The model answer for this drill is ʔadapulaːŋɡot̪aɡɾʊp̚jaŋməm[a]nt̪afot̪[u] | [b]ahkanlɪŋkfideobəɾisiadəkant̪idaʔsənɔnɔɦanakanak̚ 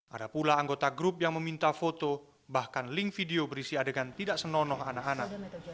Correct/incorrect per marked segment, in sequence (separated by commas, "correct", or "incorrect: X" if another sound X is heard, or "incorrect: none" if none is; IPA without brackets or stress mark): incorrect: i, incorrect: o, correct